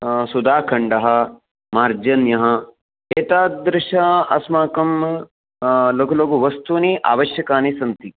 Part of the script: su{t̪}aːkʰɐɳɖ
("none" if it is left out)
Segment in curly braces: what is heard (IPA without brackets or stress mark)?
d̪